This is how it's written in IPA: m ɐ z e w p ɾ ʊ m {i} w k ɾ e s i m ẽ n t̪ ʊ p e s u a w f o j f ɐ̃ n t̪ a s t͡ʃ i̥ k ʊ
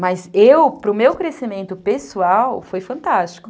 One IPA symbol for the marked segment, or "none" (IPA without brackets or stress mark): e